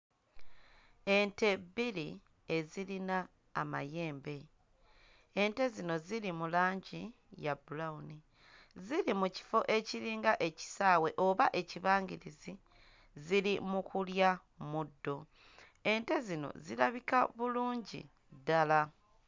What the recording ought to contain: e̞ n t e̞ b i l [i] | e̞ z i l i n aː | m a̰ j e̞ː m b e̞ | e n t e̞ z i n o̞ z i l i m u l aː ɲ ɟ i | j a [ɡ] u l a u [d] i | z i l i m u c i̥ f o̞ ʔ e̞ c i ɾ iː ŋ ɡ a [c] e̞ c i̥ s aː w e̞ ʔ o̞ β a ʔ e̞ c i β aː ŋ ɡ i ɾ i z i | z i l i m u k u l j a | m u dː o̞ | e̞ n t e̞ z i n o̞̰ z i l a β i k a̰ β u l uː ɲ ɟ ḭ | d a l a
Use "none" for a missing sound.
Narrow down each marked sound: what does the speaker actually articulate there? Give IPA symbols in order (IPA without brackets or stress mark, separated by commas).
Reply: i, b, n, ʔ